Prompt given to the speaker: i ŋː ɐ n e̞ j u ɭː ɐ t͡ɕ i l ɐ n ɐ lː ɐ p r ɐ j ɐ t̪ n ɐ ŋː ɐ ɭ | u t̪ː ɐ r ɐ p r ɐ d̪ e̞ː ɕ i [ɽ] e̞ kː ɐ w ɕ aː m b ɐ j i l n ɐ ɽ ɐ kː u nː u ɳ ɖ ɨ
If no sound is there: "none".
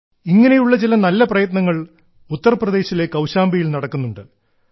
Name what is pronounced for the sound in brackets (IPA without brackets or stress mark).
l